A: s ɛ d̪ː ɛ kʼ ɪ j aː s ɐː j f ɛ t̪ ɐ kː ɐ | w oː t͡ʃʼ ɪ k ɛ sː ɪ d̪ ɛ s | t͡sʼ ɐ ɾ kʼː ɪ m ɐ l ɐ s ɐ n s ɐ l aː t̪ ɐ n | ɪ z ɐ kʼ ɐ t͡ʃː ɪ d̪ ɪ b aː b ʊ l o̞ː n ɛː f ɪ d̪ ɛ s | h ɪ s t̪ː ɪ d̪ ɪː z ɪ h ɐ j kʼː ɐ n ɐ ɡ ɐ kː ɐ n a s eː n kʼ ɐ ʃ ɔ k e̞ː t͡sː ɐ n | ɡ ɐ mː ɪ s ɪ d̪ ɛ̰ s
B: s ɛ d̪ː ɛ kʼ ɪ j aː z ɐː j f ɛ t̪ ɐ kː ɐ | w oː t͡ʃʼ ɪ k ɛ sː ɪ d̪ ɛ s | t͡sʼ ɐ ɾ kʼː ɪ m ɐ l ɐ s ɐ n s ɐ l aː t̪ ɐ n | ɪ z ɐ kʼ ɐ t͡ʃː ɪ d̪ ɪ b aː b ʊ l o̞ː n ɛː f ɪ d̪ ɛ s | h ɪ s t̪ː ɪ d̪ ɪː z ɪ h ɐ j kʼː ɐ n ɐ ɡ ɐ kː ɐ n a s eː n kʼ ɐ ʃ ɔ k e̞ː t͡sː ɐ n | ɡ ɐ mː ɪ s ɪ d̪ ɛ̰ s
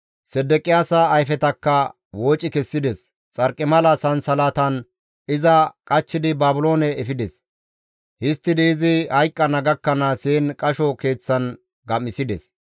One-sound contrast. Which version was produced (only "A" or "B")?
A